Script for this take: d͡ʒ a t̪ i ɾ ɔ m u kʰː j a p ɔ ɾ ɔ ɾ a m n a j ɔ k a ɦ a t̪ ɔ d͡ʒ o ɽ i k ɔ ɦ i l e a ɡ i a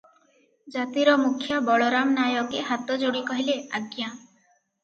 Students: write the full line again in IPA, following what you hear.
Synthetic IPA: d͡ʒ a t̪ i ɾ ɔ m u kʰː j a b ɔ ɭ ɔ ɾ a m n a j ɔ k e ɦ a t̪ ɔ d͡ʒ o ɽ i k ɔ ɦ i l e a ɡ j a